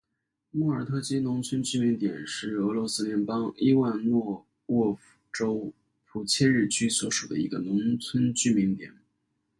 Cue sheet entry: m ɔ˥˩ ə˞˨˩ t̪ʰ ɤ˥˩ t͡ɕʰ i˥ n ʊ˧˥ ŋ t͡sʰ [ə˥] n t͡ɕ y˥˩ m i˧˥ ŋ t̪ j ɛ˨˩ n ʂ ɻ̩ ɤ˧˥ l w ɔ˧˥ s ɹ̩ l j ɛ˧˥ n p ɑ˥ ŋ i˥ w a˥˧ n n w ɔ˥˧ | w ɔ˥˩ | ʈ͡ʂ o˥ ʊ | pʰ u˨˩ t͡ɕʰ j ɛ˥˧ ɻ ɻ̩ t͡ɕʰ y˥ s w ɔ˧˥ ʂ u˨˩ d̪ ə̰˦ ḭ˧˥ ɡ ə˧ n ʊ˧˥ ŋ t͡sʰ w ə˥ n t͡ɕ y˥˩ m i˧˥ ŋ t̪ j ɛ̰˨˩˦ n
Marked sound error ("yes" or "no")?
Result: no